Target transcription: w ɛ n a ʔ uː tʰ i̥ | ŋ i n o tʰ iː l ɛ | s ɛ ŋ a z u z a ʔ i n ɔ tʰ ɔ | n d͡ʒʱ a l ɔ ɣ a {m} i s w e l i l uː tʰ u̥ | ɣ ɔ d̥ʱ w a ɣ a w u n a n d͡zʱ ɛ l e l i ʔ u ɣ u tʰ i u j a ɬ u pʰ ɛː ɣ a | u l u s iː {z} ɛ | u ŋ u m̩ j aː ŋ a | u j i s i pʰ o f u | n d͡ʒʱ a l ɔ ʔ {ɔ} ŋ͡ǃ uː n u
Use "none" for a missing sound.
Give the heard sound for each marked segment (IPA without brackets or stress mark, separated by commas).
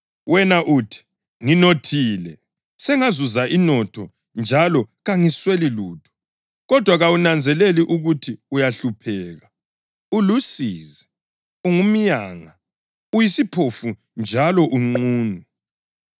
ŋ, z, u